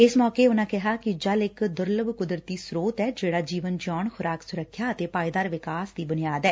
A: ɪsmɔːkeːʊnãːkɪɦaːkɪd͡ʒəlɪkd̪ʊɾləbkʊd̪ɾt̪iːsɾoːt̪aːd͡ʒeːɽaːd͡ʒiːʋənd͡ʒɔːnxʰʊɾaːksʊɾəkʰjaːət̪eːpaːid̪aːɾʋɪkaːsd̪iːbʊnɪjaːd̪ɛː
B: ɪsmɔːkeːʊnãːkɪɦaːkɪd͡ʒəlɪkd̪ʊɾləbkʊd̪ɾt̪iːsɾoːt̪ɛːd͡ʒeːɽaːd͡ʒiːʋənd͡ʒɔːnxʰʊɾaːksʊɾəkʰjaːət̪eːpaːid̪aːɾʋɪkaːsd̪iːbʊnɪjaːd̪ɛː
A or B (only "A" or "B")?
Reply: B